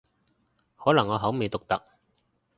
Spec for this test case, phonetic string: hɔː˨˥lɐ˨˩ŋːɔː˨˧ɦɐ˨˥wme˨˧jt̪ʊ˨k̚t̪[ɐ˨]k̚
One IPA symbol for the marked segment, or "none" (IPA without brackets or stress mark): ɐ˨